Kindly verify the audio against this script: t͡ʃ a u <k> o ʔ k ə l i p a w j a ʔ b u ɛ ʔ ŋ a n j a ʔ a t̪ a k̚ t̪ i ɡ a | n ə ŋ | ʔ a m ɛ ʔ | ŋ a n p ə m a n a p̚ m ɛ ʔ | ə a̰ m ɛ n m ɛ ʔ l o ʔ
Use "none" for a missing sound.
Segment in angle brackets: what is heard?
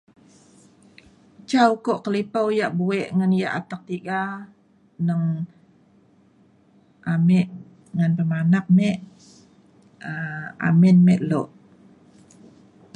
k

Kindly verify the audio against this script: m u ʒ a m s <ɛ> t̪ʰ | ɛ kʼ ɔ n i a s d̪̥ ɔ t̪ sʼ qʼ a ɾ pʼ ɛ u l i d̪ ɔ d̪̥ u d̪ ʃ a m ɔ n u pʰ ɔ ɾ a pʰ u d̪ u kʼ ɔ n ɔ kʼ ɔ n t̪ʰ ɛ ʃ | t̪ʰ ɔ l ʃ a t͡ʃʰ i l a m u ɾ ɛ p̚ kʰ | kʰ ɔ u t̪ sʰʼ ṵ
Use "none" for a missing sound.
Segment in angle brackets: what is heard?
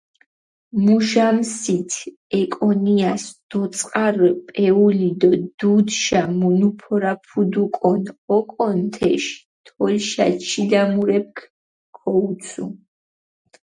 i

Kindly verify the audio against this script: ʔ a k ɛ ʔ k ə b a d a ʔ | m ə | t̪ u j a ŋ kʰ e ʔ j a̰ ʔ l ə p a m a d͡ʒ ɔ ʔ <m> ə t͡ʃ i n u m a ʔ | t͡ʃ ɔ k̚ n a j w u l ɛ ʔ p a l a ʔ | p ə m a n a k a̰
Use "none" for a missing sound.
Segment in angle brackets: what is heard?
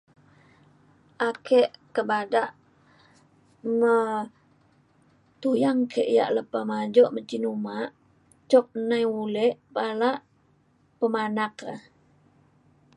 m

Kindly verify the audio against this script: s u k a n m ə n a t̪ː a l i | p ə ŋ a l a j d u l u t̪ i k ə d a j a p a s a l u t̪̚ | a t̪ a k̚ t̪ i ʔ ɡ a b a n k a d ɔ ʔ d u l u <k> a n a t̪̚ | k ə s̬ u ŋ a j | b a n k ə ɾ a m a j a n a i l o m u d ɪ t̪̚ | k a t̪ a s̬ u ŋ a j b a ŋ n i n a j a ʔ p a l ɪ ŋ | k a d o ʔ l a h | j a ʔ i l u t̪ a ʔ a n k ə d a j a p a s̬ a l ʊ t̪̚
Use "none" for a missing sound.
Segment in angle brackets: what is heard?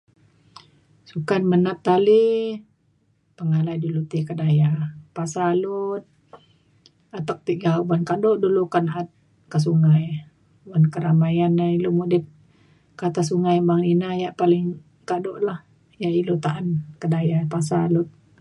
k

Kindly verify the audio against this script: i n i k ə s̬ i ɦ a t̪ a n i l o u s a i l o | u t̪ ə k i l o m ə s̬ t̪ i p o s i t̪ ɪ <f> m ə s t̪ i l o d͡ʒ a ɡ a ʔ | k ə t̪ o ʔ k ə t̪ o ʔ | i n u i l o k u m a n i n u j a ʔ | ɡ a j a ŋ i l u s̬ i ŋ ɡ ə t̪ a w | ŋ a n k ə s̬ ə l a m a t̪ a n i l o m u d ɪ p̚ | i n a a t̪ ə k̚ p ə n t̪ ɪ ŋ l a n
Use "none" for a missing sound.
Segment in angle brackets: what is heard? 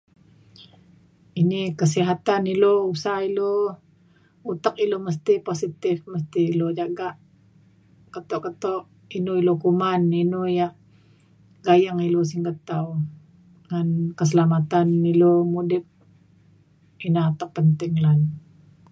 f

